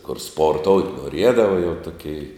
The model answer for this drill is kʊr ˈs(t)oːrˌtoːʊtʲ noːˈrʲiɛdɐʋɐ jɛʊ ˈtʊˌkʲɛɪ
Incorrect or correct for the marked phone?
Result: incorrect: p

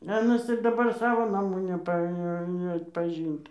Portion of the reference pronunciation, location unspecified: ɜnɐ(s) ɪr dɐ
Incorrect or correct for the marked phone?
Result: correct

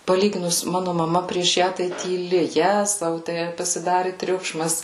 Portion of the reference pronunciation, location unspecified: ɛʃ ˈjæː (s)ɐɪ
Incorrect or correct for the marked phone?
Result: incorrect: t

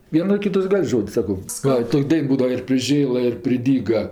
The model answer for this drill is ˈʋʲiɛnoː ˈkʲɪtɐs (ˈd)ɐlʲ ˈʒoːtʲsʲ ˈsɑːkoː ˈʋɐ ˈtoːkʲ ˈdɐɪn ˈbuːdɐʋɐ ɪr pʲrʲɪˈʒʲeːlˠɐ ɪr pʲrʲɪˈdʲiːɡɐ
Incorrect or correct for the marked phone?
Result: incorrect: ɡ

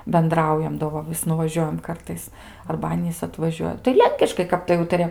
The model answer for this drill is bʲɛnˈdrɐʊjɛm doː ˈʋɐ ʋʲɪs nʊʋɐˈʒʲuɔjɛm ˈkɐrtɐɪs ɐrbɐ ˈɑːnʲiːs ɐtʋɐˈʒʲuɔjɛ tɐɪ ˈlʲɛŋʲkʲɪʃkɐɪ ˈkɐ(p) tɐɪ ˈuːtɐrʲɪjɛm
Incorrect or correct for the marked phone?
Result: correct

